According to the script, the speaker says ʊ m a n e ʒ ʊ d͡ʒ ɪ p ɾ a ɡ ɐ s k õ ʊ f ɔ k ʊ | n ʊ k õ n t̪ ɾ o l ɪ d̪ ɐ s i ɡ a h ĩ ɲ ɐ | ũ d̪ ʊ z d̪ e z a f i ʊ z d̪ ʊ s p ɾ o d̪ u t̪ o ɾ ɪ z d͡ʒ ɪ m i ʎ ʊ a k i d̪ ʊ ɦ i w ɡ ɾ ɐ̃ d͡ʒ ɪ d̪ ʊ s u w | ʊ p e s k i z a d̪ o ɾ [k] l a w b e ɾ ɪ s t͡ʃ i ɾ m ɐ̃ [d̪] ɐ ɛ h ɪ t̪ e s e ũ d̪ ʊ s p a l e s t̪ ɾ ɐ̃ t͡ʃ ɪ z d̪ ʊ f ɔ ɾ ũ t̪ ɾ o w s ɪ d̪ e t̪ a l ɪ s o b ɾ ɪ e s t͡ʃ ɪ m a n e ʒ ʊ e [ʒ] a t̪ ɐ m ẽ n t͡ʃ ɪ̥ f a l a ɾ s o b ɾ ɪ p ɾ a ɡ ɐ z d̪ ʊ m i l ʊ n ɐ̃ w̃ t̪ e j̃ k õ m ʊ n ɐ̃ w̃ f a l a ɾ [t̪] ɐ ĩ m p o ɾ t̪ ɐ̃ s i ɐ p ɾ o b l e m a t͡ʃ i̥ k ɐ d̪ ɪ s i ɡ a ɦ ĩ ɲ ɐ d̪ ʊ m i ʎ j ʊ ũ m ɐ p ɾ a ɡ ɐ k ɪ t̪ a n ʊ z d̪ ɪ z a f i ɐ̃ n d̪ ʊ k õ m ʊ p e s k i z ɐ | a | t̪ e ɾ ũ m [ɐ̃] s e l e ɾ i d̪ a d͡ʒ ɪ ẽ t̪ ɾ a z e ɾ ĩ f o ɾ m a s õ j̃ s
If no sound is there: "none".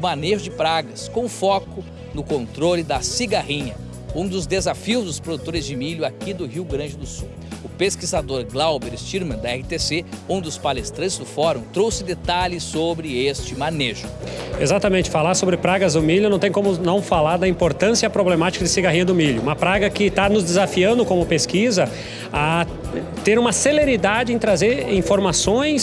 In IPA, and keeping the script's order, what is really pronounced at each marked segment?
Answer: ɡ, d̪, z, d̪, ɐ

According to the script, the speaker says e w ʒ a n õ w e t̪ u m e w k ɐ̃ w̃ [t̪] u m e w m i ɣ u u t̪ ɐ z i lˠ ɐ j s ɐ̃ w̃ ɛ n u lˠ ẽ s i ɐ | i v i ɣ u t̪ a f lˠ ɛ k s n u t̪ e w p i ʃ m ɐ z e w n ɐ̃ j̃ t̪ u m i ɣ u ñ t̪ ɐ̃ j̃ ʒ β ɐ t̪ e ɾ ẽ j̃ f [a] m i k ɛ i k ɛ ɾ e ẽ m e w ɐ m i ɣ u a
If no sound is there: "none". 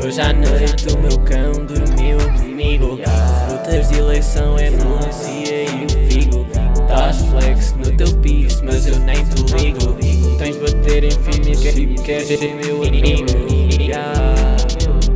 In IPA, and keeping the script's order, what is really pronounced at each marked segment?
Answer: d̪, i

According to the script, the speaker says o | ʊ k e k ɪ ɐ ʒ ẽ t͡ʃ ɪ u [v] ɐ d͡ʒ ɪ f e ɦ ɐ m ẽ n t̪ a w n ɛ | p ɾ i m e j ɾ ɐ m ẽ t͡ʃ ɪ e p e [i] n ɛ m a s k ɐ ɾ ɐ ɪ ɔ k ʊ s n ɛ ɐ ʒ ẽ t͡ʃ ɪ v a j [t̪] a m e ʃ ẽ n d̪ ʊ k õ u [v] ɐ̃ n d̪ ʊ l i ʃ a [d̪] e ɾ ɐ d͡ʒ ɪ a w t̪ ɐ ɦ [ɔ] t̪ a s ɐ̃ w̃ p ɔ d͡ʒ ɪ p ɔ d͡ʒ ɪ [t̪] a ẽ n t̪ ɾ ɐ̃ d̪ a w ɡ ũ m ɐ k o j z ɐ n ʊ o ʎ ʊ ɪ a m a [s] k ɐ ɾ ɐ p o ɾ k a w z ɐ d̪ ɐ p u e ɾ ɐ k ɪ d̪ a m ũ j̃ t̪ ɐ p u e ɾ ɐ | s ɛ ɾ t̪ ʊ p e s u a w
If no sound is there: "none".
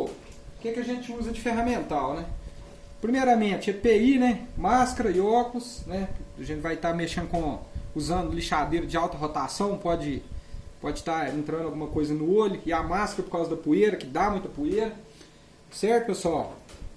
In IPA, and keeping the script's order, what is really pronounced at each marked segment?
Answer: z, i, t̪, z, d̪, o, t̪, s

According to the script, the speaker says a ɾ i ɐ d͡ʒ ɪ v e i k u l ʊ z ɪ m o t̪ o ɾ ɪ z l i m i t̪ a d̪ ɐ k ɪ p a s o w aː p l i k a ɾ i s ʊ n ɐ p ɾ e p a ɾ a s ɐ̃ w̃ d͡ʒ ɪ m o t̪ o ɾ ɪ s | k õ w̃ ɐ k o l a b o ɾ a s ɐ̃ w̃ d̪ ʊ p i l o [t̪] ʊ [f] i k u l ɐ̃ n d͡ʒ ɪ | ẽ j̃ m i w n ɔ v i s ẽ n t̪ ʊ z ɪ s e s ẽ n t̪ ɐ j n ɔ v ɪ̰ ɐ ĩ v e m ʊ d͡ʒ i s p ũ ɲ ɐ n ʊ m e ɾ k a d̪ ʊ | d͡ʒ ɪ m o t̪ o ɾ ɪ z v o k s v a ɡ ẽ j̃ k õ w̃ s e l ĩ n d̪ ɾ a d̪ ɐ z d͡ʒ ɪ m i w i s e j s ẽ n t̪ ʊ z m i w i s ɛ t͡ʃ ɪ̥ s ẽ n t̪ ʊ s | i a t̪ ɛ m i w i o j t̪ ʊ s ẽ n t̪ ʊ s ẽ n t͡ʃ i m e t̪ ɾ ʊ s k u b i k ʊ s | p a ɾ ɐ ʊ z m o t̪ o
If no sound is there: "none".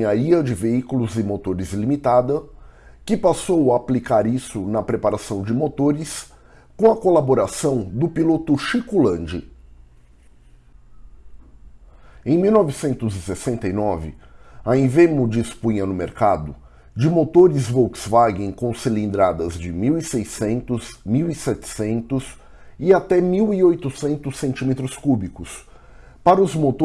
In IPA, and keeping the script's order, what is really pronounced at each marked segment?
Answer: t̪, ʃ

